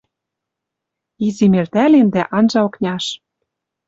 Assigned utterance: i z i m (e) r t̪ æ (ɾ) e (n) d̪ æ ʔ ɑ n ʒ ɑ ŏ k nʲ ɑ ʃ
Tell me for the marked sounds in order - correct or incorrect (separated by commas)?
correct, incorrect, correct